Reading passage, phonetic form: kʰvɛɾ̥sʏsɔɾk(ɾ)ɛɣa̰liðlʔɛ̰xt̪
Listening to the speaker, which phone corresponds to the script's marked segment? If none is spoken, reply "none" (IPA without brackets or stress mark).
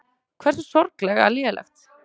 l